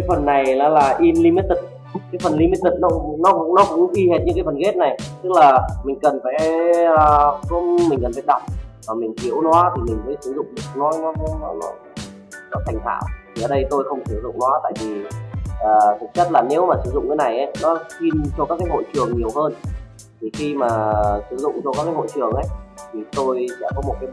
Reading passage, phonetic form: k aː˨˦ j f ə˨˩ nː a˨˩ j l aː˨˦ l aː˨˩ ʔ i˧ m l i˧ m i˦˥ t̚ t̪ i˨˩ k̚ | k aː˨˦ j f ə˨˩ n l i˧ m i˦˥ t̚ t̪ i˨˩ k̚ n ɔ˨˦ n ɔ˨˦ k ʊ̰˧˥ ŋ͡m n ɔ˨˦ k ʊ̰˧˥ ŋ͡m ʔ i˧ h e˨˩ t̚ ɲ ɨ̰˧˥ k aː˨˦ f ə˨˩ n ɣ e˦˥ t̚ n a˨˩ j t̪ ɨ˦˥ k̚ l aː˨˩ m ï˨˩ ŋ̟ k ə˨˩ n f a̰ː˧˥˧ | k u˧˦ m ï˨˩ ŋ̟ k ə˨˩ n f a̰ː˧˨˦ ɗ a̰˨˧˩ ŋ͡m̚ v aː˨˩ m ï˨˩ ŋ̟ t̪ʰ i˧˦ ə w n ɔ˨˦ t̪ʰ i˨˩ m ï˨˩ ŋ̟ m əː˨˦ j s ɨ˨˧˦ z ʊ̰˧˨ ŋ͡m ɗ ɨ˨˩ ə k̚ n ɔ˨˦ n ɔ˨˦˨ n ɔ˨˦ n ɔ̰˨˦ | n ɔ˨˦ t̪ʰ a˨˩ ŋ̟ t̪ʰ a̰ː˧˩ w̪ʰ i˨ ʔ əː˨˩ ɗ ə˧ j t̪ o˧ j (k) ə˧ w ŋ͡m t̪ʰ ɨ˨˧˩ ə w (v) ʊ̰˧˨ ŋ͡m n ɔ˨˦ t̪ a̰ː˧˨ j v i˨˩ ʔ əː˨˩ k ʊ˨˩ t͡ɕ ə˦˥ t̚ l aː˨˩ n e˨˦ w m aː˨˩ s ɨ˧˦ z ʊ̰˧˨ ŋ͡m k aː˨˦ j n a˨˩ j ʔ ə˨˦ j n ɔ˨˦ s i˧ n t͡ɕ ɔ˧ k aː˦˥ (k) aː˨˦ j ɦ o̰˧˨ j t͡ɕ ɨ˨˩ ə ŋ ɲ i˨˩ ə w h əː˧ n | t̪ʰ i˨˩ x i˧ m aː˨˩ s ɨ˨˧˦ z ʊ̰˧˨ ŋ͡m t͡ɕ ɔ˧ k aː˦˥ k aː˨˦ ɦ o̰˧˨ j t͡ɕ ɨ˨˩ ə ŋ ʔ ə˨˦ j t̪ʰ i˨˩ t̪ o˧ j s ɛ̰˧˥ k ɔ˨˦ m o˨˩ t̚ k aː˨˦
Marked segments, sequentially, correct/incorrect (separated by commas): incorrect, incorrect, correct